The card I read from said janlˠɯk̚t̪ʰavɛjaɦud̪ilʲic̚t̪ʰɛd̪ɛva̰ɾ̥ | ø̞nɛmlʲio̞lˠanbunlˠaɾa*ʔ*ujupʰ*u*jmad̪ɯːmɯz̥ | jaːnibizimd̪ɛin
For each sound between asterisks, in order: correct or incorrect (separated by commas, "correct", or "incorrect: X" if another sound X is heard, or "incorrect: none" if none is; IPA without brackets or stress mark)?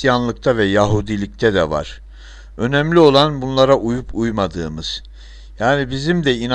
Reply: correct, correct